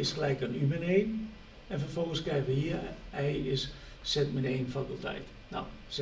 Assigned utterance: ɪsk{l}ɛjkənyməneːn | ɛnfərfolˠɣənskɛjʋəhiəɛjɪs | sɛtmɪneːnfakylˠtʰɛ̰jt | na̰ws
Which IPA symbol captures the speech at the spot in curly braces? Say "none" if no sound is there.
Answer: l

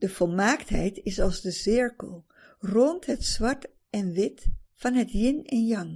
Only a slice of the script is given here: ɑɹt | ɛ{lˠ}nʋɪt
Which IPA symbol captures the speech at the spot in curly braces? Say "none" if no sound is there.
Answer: none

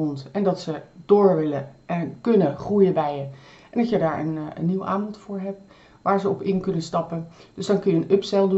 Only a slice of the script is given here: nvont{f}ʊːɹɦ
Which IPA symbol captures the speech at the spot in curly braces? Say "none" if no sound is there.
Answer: f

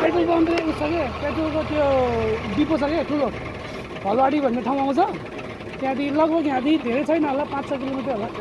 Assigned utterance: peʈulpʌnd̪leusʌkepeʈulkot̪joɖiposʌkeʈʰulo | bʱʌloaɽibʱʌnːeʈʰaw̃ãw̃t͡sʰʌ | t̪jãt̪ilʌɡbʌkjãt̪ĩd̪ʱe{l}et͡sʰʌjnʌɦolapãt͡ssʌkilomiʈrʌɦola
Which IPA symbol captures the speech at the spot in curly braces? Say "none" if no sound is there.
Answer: ɾ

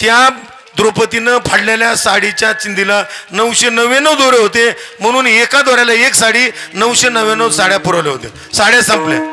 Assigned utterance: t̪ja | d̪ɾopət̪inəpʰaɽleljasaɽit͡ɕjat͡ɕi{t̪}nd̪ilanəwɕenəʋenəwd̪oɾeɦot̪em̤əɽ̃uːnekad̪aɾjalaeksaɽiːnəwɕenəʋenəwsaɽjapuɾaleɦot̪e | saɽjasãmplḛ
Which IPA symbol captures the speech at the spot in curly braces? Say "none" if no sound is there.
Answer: none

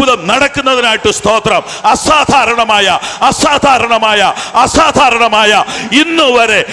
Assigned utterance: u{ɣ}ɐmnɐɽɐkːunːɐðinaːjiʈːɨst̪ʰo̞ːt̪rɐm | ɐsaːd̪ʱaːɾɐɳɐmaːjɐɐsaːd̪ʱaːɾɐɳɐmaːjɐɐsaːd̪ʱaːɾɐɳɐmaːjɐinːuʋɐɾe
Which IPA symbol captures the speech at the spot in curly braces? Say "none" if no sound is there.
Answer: ð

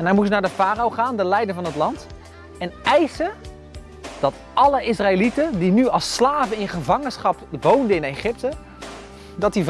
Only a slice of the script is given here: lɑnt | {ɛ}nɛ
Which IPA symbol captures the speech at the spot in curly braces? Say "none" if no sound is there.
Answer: ɛ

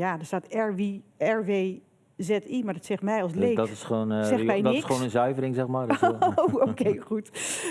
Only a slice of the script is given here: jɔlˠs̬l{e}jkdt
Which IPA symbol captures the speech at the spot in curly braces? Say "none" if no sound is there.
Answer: e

